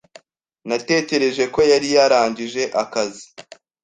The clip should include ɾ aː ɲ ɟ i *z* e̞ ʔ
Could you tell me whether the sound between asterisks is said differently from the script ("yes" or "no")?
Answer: yes